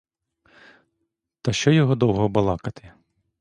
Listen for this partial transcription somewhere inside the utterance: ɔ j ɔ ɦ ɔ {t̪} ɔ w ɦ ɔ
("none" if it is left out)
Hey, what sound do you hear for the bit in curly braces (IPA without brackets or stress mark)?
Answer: d̪